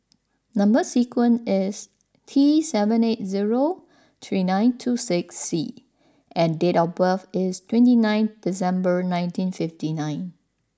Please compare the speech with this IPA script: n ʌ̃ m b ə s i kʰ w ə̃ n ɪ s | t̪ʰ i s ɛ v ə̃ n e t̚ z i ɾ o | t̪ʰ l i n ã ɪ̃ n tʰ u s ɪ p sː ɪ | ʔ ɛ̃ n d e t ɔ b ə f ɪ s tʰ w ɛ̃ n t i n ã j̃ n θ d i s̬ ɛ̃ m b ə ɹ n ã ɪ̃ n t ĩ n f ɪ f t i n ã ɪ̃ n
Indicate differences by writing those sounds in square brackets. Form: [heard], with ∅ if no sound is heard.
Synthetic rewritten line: n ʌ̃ m b ə s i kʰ w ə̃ n ɪ s | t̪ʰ i s ɛ v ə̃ n e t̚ z i [ɹ] o | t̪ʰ [ɹ] i n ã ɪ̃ n tʰ u s ɪ [k] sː [i] | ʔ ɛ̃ n d e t ɔ b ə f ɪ s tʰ w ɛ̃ n t i n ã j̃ n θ d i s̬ ɛ̃ m b ə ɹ n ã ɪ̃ n t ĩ n f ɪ f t i n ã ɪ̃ n